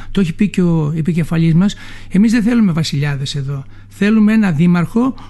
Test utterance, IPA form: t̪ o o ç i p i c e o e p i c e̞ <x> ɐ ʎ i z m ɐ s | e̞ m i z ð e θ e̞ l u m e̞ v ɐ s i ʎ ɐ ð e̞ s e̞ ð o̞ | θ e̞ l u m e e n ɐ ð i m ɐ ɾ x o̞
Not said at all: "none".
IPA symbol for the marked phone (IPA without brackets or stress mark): f